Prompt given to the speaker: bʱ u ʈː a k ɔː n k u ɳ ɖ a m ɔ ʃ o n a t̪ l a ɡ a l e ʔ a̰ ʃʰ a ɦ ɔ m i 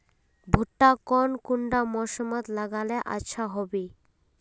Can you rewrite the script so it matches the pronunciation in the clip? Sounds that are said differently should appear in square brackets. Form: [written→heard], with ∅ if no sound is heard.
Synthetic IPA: bʱ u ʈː a k [ɔː→ɔ] n k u ɳ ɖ a m ɔ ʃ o [n→m] a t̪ l a ɡ a l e ʔ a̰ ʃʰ a ɦ ɔ [m→b] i